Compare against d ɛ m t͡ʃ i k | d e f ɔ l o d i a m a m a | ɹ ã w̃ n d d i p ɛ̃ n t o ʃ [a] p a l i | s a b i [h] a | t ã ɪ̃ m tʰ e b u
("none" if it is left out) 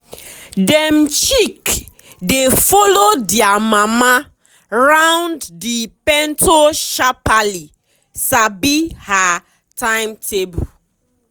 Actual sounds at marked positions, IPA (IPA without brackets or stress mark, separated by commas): a, h